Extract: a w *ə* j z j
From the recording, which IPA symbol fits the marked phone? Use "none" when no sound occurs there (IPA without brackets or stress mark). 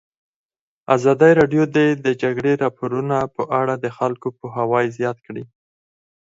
ɑ